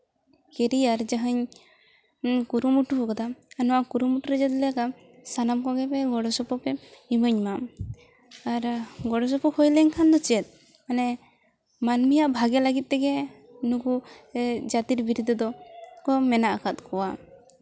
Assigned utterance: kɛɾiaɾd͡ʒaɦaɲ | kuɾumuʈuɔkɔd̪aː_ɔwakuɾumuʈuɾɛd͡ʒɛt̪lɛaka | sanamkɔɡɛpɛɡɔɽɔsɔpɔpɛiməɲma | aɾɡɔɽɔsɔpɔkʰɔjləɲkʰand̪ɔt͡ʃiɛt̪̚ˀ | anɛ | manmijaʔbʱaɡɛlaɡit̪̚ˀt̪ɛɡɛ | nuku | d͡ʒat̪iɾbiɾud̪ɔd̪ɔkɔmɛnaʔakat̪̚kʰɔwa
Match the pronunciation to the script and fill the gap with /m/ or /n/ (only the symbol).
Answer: n